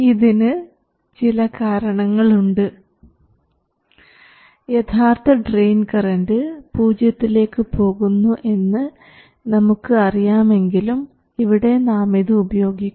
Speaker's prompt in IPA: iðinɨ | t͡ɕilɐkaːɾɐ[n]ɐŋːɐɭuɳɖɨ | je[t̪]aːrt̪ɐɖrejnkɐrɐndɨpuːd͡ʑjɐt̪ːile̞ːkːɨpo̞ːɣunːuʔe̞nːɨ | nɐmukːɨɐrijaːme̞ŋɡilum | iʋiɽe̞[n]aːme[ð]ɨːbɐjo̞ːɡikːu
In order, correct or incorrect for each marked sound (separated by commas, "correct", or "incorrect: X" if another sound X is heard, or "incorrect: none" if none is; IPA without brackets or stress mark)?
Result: incorrect: ɳ, incorrect: t̪ʰ, correct, correct